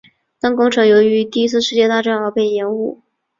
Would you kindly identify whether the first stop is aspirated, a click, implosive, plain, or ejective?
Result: plain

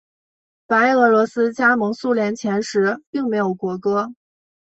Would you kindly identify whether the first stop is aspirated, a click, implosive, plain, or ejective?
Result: plain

